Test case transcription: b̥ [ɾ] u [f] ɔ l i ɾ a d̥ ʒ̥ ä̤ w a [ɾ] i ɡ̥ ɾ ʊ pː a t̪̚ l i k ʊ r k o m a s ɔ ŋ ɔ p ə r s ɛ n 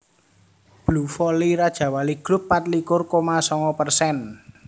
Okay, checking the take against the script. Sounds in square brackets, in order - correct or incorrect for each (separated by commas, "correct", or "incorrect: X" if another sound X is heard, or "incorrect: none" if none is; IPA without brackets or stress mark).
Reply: incorrect: l, correct, incorrect: l